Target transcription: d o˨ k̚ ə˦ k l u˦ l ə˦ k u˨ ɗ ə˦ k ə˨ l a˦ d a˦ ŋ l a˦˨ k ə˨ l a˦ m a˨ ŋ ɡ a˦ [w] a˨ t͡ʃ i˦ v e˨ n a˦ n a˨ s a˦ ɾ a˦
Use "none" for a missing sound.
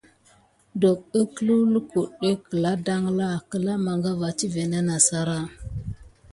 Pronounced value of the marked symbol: v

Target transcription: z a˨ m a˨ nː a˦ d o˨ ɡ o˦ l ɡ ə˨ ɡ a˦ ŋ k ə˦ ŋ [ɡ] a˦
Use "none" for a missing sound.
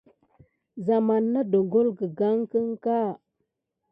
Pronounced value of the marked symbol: k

